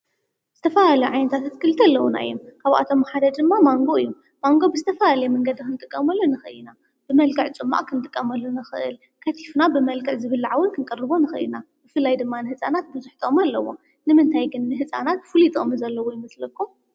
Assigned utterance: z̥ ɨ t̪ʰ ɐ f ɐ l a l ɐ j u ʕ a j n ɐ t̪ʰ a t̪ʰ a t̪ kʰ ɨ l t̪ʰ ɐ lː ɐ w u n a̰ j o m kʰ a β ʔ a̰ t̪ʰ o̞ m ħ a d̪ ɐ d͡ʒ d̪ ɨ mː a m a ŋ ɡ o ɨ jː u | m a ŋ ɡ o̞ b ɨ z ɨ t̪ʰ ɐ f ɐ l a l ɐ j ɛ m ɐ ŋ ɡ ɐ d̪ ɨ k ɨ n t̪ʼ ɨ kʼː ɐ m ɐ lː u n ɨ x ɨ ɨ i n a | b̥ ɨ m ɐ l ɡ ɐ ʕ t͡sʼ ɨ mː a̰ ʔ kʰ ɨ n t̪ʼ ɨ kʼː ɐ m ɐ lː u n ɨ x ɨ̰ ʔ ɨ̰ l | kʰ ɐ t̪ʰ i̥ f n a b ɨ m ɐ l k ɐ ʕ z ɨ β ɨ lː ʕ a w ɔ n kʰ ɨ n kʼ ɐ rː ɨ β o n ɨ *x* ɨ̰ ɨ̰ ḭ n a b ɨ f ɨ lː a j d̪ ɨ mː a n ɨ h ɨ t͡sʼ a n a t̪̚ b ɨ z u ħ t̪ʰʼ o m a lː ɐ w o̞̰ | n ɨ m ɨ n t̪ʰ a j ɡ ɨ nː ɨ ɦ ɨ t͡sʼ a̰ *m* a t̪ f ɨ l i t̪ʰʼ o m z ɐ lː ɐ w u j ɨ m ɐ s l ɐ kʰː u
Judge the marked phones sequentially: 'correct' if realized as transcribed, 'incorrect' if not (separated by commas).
correct, incorrect